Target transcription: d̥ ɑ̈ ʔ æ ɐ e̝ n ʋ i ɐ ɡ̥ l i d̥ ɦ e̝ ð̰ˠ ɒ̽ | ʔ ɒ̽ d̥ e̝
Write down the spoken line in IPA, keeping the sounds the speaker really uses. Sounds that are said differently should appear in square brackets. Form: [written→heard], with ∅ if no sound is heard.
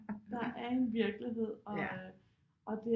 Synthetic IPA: d̥ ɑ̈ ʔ æ ɐ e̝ n ʋ i ɐ ɡ̥ l i [d̥→∅] ɦ e̝ ð̰ˠ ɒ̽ | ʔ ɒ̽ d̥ e̝